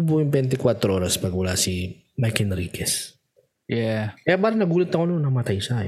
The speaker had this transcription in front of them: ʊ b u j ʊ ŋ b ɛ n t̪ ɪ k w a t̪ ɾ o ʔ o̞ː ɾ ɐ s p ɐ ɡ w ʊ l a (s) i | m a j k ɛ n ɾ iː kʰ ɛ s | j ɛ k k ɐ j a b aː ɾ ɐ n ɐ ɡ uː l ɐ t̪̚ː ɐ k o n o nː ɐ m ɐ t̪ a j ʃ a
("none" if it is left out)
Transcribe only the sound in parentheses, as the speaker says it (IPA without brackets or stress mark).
s